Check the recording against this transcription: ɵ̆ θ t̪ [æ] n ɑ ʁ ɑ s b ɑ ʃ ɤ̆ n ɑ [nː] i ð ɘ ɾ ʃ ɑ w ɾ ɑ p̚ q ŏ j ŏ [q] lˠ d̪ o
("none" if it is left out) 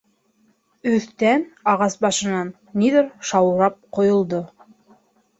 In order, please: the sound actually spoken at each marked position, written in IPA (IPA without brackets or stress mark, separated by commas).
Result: æ, nː, none